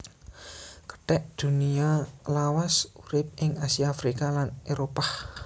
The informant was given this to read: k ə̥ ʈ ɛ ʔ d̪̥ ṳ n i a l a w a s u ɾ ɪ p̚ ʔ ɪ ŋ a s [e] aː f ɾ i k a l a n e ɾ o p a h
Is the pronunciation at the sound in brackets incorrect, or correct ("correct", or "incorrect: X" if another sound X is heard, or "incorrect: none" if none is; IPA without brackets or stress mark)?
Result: incorrect: i